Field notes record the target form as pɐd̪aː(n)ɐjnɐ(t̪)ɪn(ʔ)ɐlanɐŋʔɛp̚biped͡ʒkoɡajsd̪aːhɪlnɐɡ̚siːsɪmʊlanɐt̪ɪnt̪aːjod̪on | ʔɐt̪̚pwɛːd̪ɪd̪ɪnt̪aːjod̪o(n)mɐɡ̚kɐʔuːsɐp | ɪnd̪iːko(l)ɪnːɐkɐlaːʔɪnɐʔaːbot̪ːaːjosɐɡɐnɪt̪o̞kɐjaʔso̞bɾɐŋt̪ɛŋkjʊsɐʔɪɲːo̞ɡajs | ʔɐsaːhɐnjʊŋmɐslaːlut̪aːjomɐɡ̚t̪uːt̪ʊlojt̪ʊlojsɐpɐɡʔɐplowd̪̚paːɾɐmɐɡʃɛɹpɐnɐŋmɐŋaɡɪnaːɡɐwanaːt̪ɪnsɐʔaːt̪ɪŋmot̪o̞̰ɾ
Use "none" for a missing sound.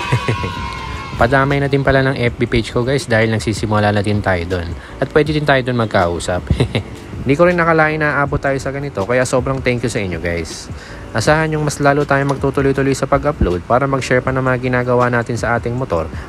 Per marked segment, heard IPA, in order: m, t̪, p, n, ɾ

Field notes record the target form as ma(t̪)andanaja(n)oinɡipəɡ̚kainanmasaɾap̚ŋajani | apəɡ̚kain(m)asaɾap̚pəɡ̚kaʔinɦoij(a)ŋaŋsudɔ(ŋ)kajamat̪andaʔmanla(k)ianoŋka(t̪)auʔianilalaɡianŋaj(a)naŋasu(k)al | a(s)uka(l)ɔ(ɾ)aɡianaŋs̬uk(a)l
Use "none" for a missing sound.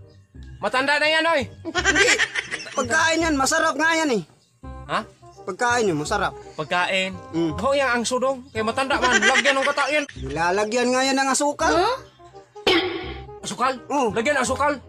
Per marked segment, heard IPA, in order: t̪, n, m, a, ŋ, ɡ, t̪, a, k, s, l, l, a

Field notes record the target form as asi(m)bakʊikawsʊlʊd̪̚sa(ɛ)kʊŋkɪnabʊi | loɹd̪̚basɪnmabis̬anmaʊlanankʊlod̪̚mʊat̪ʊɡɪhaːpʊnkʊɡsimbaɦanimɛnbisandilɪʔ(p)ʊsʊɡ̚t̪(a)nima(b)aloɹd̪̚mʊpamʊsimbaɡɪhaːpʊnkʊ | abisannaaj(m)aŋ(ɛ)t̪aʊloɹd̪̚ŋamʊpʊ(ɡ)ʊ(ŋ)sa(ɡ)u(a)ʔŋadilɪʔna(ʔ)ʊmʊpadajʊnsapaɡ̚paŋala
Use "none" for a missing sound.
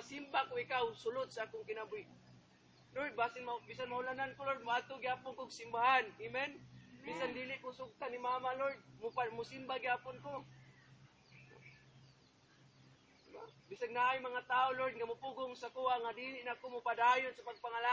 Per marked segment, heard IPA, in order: m, a, k, a, m, m, a, ɡ, ŋ, k, a, k

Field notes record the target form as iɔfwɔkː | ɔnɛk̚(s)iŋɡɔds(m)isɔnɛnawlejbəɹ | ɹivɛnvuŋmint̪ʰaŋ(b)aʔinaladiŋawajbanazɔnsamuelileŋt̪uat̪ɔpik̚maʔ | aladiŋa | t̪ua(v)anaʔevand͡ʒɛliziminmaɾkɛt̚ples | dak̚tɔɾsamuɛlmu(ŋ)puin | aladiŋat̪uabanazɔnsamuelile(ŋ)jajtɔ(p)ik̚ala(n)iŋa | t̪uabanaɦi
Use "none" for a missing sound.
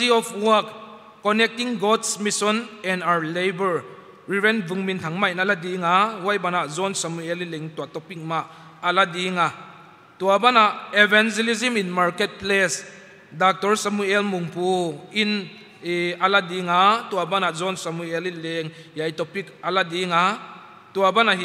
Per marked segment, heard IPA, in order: t, m, m, b, ŋ, ŋ, p, d

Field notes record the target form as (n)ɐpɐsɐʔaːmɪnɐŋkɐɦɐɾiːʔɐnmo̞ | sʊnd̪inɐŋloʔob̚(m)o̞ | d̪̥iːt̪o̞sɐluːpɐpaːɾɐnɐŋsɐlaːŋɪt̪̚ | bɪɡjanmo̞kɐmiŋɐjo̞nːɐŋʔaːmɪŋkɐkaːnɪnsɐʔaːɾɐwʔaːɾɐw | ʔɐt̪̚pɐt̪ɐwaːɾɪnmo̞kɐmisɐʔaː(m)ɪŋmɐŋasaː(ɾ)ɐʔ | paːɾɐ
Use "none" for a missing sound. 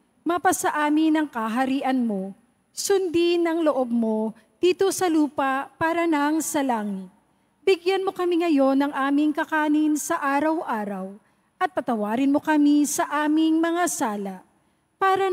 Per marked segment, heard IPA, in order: m, m, m, l

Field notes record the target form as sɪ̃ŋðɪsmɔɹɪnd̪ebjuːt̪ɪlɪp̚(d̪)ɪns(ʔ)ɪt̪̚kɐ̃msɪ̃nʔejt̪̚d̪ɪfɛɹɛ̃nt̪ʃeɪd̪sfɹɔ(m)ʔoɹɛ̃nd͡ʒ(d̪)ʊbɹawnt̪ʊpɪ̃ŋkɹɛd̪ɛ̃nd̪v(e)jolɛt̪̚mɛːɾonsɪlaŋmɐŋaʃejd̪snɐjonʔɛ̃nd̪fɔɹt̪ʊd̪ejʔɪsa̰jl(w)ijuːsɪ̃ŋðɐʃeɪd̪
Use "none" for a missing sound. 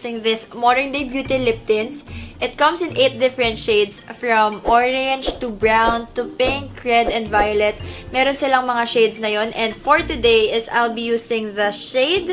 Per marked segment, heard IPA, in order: t̪, ʔ, m, t̪, a, b

